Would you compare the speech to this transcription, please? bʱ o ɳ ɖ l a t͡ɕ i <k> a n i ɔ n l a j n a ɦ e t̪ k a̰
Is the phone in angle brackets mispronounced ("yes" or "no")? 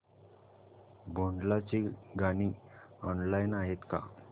yes